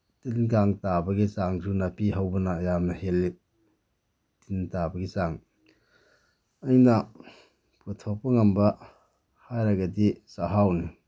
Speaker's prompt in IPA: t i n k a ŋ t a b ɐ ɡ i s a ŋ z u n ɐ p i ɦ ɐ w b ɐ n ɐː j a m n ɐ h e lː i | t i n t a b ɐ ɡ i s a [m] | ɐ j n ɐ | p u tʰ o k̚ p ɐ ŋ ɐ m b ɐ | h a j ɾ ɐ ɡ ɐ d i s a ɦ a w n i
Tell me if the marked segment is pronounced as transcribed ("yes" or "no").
no